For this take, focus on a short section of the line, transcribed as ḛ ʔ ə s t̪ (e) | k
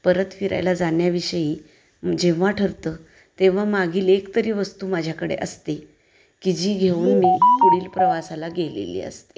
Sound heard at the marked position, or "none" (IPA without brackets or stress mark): e